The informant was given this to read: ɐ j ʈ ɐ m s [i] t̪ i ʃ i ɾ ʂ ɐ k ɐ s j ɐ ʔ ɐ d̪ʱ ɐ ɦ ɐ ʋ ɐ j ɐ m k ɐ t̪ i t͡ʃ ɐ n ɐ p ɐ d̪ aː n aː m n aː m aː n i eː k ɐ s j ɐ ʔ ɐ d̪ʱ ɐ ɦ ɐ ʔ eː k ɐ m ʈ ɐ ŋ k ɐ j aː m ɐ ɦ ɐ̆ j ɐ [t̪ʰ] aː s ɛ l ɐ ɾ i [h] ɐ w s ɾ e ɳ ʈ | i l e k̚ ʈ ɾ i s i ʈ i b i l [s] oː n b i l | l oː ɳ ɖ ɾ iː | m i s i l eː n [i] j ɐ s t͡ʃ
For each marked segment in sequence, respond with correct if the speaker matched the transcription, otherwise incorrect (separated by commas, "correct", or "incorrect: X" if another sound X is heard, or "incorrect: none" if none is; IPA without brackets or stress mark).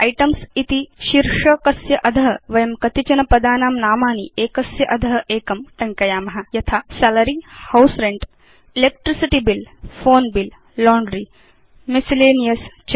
correct, correct, correct, incorrect: f, correct